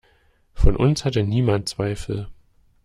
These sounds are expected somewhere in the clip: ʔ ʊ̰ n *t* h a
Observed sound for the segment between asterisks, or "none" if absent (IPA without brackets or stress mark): s